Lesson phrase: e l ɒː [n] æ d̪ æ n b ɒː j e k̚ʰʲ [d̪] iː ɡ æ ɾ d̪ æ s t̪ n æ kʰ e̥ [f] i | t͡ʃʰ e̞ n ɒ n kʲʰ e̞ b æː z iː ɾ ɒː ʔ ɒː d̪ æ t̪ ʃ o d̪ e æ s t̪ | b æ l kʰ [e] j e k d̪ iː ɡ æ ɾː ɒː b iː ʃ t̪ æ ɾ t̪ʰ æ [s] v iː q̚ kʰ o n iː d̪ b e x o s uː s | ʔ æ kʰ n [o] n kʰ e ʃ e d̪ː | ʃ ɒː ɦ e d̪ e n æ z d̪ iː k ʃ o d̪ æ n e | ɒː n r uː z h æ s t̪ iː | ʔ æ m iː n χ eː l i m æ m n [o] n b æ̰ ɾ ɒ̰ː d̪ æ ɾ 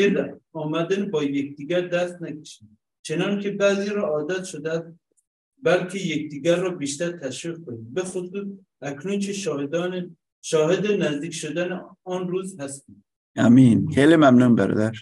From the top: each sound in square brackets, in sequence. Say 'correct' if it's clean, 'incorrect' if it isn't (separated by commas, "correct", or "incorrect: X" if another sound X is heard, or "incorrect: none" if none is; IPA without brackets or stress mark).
incorrect: m, correct, incorrect: ʃ, correct, incorrect: ʃ, incorrect: u, incorrect: u